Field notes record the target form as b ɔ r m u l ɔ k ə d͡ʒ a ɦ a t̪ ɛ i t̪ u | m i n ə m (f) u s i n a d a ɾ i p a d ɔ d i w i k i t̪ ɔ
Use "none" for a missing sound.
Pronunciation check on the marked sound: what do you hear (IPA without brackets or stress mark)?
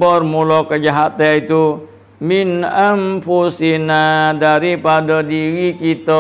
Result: f